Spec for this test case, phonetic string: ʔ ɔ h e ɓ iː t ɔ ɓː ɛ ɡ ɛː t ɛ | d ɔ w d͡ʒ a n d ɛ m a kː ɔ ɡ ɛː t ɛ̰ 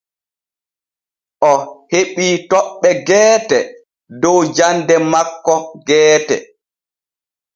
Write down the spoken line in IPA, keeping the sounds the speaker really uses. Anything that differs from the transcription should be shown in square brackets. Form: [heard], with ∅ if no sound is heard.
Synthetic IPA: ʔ ɔ h e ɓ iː t ɔ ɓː ɛ ɡ ɛː t ɛ | d ɔ w d͡ʒ a n d ɛ m a kː ɔ ɡ ɛː t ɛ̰